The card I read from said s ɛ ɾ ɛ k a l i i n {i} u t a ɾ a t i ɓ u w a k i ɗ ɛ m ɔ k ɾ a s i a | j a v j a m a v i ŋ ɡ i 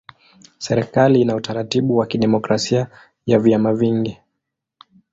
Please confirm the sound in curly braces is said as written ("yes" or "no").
no